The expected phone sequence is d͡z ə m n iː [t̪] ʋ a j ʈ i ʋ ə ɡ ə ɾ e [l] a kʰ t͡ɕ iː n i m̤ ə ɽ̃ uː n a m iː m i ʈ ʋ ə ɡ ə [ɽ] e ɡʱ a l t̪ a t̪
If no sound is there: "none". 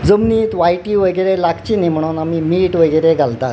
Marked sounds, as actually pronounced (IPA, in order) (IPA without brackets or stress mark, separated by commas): t̪, l, ɾ